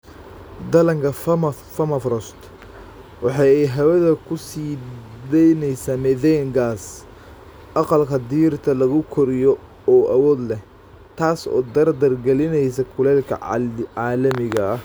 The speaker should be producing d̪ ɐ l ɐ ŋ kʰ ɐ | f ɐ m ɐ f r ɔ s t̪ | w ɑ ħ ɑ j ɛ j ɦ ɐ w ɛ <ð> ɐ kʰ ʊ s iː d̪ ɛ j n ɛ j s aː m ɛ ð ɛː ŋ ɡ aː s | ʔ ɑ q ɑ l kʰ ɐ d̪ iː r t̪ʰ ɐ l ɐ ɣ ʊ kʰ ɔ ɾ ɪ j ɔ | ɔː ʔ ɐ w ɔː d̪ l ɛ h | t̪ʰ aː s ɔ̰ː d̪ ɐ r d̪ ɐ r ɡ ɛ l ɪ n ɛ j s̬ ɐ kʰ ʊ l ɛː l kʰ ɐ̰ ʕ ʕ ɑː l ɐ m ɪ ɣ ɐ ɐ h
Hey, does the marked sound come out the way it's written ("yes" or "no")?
yes